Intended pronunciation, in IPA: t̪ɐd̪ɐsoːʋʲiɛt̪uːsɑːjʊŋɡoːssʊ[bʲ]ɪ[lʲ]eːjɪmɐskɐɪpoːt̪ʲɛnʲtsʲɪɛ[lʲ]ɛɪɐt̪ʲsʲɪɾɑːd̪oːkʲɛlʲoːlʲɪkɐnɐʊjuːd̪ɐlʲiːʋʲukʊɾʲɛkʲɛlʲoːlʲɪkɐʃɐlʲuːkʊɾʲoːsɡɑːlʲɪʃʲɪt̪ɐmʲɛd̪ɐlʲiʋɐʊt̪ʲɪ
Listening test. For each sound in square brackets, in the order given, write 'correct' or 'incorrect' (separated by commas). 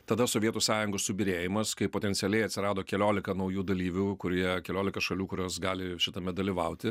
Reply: correct, incorrect, correct